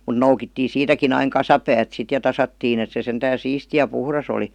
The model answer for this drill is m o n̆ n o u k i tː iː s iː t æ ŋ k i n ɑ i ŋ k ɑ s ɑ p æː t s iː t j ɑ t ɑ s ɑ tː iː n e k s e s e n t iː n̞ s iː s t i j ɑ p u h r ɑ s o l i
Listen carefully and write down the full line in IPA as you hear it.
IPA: m u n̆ n o u k i tː iː s iː t æ k i n ɑ i ŋ k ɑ s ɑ p æː t s i t j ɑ t ɑ s ɑ tː iː n e t s e s e n t æː n̞ s iː s t i j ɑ p u h r ɑ s o l i